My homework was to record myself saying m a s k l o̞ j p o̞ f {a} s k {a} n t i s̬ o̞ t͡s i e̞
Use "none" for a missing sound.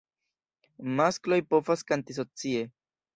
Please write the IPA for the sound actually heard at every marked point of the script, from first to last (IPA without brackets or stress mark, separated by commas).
a, a